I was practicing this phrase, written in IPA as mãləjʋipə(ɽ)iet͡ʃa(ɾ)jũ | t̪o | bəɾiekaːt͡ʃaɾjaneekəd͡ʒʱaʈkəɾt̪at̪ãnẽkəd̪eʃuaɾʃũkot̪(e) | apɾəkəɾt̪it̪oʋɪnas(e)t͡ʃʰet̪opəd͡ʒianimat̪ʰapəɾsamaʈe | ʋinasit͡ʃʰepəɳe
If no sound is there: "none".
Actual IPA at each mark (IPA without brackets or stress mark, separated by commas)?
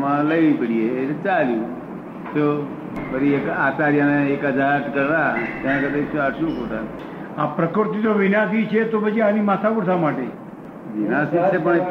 ɽ, l, a, i